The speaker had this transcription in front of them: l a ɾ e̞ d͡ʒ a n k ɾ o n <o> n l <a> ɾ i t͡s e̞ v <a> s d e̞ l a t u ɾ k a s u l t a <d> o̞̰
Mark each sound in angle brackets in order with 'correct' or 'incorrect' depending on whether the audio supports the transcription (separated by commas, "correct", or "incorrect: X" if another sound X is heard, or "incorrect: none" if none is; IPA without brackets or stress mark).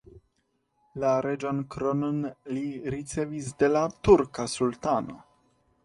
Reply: correct, incorrect: i, incorrect: i, incorrect: n